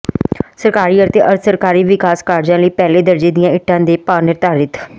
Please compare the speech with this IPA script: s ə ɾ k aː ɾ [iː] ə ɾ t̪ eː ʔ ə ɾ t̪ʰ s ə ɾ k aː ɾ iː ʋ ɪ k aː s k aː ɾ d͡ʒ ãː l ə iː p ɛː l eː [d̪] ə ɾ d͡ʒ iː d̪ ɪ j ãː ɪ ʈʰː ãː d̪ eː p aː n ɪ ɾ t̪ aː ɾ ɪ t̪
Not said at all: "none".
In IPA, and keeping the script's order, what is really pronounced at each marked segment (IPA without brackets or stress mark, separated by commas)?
iː, d̪